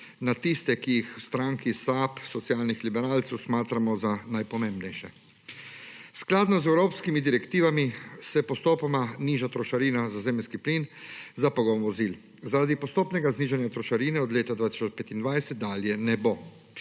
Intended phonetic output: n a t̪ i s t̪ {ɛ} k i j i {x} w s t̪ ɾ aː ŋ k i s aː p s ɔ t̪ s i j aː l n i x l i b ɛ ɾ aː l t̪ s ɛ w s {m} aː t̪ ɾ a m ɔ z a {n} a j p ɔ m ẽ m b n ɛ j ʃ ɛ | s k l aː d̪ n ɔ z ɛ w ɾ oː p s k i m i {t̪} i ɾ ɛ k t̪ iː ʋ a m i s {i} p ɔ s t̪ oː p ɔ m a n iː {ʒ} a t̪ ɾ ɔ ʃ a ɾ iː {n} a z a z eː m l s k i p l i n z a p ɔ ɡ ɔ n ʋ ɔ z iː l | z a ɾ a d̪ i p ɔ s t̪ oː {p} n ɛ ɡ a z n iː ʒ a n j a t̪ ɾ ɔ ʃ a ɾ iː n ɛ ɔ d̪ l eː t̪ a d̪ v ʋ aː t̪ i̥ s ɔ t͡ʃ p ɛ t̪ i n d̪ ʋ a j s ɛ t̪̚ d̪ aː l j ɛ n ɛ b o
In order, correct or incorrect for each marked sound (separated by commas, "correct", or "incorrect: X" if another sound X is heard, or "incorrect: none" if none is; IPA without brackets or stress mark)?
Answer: correct, correct, correct, correct, incorrect: d̪, incorrect: ɛ, correct, correct, correct